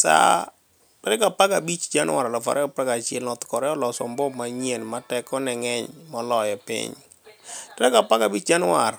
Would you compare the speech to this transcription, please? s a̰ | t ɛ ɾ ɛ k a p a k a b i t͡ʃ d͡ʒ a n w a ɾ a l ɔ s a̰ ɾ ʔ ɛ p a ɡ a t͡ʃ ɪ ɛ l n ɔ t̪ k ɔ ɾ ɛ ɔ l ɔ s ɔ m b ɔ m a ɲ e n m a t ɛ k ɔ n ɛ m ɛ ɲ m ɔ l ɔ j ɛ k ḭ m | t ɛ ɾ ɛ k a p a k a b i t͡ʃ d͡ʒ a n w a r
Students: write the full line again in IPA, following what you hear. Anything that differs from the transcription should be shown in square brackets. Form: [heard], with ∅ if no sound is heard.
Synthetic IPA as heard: s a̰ | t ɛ ɾ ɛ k a p a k a b i t͡ʃ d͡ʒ a n w a ɾ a l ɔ [f] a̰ ɾ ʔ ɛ p a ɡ a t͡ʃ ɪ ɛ l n ɔ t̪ k ɔ ɾ ɛ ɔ l ɔ s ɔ m b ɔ m a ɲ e n m a t ɛ k ɔ n ɛ [ŋ] ɛ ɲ m ɔ l ɔ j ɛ [p] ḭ [ɲ] | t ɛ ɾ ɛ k a p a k a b i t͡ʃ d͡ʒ a n w a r